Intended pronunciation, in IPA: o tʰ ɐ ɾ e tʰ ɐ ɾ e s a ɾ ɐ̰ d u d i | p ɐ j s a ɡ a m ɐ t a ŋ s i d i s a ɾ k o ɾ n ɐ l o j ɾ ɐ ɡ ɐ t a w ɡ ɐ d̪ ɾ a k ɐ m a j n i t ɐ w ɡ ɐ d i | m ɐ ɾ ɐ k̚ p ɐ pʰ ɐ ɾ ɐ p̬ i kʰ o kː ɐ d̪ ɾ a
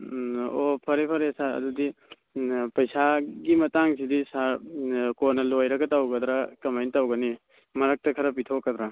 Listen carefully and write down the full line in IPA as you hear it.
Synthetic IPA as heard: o pʰ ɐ ɾ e pʰ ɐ ɾ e s a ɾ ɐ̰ d u d i | p ɐ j s a ɡ i m ɐ t a ŋ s i d i s a ɾ k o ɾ n ɐ l o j ɾ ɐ ɡ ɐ t a w ɡ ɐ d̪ ɾ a k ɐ m a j n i t a w ɡ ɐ n i | m ɐ ɾ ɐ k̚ t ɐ kʰ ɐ ɾ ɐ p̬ i tʰ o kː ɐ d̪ ɾ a